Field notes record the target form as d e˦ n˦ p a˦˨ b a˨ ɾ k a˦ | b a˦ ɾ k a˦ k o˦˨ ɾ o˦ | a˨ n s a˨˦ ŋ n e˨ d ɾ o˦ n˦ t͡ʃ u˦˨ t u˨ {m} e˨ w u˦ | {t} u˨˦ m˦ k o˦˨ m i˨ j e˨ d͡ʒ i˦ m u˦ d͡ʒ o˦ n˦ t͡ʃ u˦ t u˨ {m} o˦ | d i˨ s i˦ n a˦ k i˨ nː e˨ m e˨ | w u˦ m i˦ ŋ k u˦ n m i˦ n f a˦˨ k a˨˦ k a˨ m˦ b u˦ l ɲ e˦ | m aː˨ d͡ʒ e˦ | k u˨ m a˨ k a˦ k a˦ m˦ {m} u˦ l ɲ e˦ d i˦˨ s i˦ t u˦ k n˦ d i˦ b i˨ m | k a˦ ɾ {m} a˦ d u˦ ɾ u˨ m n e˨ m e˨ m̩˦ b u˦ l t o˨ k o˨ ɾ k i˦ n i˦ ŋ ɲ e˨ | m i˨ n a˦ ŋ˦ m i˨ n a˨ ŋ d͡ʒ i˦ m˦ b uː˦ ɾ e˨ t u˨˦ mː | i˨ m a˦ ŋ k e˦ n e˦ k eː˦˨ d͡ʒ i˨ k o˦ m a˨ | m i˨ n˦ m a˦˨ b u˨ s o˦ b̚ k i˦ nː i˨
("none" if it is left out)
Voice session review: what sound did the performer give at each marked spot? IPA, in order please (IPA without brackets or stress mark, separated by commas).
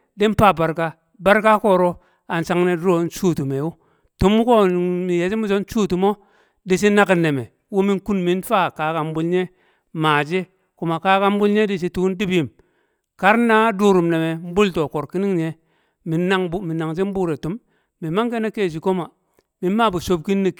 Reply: m, t, m, b, n